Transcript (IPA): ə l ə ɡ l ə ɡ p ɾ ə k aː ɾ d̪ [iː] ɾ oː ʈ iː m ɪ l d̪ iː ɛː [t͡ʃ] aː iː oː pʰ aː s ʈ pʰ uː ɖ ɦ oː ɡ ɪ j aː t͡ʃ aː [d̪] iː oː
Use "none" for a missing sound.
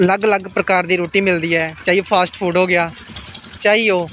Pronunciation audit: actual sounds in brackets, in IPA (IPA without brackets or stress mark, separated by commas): iː, t͡ʃ, none